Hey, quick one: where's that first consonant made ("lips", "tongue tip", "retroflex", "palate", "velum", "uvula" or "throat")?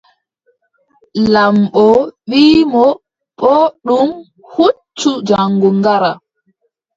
tongue tip